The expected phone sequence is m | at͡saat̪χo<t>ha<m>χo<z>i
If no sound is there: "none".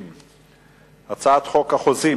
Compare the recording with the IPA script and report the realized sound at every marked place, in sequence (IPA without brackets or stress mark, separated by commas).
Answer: k, none, z